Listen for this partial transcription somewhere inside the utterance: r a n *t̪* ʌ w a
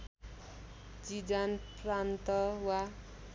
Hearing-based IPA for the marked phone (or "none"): t̪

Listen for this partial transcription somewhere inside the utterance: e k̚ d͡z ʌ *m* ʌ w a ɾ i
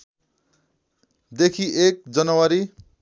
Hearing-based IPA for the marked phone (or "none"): n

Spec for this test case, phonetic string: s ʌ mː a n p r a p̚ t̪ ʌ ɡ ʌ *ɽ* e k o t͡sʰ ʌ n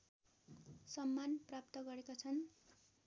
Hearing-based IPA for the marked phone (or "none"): ɾ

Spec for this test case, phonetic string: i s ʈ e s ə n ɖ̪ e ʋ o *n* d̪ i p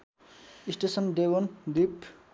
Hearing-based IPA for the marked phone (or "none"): n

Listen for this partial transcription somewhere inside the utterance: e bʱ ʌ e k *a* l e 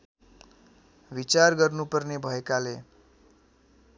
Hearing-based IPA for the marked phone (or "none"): a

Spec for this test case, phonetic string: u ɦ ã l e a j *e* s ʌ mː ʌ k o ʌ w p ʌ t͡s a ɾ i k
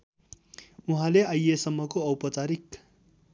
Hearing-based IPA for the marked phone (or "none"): e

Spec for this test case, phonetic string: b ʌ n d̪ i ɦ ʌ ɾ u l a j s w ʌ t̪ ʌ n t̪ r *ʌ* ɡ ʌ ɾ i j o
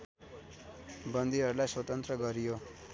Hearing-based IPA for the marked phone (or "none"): ʌ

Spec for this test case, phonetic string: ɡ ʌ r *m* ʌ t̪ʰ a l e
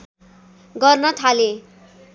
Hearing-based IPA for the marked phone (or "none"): n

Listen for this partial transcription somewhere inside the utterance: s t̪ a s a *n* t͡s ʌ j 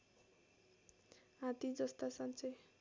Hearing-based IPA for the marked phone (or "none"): n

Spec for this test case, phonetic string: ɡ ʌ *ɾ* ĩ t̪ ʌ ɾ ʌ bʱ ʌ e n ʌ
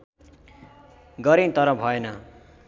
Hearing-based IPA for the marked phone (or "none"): ɾ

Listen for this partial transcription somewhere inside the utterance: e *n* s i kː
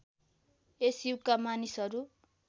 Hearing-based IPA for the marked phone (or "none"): none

